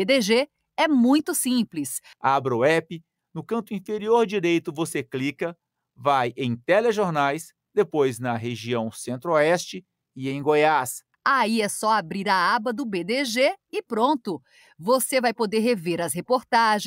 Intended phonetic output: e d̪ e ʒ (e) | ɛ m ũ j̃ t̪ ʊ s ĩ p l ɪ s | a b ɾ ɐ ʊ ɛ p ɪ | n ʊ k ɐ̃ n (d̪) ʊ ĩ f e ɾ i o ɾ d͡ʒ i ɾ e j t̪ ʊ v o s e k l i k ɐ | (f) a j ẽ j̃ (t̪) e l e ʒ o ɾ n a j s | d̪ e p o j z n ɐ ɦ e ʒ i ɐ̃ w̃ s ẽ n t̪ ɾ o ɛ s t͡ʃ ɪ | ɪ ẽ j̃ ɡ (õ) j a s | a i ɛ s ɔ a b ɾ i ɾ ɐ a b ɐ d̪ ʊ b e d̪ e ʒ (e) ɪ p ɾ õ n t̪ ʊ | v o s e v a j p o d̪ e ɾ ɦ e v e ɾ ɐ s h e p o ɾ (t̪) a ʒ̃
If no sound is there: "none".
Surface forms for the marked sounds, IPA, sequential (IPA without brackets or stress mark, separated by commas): e, t̪, v, t̪, o, e, t̪